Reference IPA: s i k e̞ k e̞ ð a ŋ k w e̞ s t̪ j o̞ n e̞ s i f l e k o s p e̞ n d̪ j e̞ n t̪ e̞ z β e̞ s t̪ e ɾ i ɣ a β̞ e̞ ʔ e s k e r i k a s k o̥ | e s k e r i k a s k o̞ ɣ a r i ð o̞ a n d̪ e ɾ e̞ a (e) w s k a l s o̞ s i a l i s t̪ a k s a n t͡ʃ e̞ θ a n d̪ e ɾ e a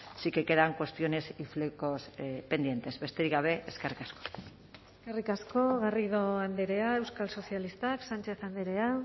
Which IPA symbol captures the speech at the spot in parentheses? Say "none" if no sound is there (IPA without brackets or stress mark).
e